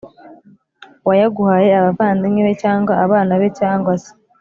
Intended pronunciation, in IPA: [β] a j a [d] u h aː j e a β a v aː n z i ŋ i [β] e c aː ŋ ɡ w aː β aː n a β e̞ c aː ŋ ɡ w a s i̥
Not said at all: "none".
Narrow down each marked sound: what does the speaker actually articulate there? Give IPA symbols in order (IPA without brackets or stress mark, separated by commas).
w, ɡ, β